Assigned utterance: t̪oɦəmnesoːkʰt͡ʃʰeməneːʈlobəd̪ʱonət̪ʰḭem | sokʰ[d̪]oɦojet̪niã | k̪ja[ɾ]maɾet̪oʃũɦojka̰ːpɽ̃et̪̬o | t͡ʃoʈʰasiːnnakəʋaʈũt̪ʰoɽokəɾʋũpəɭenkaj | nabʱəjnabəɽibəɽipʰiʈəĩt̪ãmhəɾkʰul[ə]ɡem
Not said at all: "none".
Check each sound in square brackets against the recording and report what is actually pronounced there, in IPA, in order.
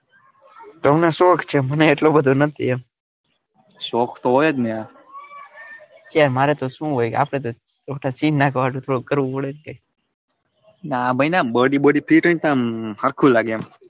t̪, ɾ, a

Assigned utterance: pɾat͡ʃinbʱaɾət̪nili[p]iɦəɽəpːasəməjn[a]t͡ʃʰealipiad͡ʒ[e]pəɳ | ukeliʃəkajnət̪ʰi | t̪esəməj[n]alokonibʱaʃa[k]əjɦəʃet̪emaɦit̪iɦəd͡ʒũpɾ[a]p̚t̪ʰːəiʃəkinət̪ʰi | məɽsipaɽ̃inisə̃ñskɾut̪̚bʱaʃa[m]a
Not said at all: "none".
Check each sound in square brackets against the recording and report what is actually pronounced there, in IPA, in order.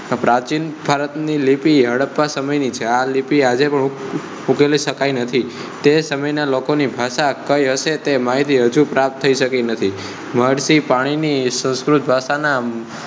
p, i, e, n, k, a, n

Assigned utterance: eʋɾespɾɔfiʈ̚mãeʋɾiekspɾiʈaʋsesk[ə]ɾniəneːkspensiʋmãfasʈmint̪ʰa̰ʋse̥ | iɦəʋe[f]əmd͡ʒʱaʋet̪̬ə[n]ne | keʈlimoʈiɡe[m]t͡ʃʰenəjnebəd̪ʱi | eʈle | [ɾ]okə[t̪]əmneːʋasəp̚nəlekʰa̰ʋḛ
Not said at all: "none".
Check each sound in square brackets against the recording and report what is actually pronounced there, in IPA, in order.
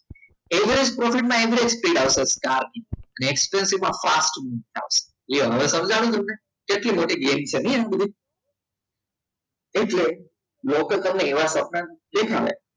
a, s, m, m, l, t̪

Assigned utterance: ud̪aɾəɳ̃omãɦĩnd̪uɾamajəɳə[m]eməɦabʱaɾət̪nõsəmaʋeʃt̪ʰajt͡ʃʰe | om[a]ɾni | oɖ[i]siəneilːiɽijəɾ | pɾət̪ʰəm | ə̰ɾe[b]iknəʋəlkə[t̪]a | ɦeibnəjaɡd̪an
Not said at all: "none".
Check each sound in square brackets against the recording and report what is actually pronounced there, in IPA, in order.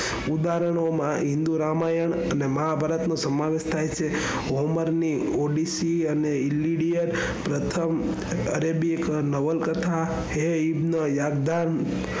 n, ə, i, b, t̪ʰ

